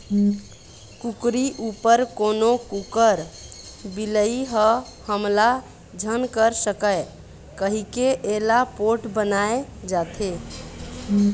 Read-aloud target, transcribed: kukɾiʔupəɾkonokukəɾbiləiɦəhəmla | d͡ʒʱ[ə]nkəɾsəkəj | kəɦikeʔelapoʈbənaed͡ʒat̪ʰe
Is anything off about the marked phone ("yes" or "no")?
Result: no